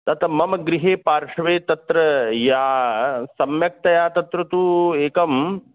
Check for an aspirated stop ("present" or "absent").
absent